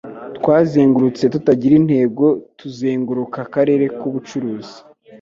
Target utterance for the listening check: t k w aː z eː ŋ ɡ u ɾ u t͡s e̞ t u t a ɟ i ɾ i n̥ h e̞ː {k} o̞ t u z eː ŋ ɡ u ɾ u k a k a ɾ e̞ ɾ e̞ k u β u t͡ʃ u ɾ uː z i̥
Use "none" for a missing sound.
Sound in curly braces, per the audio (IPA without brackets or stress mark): ɡ